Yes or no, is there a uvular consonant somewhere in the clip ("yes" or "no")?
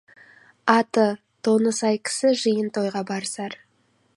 yes